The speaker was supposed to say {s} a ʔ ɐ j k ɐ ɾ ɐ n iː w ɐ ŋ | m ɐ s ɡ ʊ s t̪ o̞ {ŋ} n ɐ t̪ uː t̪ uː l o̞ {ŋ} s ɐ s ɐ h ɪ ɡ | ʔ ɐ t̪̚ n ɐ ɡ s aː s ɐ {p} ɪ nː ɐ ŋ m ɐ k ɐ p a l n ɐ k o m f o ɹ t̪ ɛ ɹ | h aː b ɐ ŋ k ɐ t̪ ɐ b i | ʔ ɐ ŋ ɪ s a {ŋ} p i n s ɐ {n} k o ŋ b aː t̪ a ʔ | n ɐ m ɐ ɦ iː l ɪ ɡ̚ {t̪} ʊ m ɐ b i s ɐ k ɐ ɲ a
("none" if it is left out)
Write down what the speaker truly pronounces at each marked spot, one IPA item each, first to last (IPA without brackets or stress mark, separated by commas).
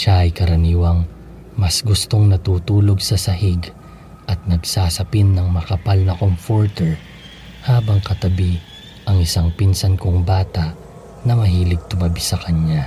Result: ʃ, ŋ, ɡ, p, ŋ, n, t̪